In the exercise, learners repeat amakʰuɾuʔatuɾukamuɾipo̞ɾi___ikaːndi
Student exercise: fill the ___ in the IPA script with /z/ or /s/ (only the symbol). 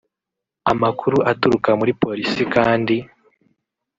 s